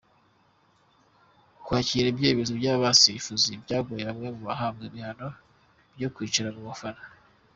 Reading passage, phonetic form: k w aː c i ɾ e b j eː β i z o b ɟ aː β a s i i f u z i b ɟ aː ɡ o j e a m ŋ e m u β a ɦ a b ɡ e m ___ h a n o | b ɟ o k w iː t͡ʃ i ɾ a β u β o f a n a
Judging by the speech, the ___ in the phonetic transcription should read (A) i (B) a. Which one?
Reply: A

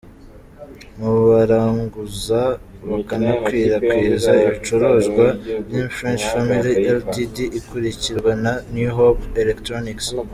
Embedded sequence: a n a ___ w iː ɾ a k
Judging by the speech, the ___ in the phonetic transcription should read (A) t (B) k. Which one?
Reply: B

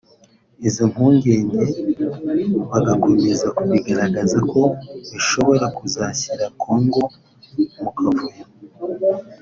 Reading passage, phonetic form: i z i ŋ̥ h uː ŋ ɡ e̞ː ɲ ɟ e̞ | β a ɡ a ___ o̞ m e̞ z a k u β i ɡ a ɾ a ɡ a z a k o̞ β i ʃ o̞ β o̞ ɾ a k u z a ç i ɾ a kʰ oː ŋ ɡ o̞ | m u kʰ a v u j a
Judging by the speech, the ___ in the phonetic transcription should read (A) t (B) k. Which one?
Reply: B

